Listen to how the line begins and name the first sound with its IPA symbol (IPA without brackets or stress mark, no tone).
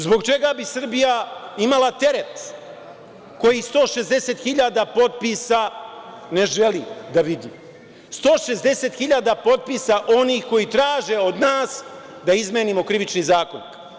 z